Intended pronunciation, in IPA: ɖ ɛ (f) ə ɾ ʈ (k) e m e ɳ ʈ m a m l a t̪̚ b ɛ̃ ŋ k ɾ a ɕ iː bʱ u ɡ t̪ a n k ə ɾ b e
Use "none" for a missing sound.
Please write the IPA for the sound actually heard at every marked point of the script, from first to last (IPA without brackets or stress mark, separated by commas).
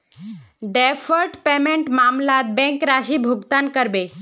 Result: f, p